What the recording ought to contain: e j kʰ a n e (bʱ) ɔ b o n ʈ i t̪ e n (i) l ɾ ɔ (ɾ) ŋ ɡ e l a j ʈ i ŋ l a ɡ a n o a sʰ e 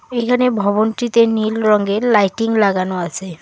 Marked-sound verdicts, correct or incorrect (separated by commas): correct, correct, incorrect